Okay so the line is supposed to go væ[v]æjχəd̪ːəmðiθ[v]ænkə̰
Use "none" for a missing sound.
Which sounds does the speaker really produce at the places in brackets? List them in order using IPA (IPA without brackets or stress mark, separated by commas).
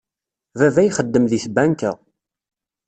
v, b